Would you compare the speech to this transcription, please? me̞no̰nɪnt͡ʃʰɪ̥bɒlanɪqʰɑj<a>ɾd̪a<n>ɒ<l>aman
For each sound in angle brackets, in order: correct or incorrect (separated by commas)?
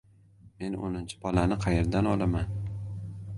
incorrect, correct, correct